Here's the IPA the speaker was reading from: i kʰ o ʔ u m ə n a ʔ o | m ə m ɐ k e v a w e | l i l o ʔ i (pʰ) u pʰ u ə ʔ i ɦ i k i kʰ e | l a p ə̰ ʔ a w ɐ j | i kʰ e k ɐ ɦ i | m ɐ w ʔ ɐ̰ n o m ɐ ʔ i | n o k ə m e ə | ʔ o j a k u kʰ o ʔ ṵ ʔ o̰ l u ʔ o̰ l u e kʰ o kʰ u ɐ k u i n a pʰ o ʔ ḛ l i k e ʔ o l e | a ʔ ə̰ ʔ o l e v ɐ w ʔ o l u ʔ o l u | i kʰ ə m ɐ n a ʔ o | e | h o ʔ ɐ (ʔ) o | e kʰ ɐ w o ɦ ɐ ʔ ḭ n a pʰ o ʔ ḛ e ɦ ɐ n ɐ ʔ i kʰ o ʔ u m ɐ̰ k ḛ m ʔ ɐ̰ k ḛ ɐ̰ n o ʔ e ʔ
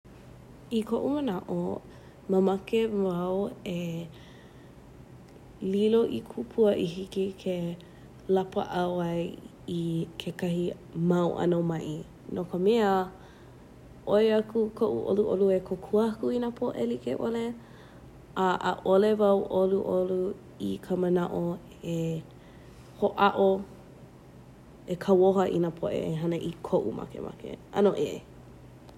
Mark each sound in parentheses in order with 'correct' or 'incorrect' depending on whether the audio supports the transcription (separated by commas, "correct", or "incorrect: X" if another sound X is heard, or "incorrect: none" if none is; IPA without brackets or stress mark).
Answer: incorrect: kʰ, correct